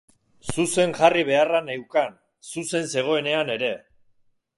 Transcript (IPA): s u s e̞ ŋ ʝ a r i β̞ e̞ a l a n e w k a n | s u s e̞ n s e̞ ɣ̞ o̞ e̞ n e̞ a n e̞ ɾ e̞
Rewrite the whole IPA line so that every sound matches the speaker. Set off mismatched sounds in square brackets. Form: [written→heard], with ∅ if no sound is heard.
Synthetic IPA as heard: s u s e̞ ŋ ʝ a r i β̞ e̞ a [l→r] a n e w k a n | s u s e̞ n s e̞ ɣ̞ o̞ e̞ n e̞ a n e̞ ɾ e̞